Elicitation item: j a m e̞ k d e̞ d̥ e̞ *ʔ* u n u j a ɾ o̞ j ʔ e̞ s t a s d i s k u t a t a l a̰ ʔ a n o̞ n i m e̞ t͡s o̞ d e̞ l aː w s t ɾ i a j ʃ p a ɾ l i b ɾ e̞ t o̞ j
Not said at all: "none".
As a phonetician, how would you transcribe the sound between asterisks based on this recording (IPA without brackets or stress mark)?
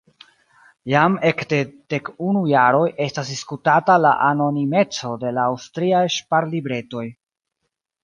k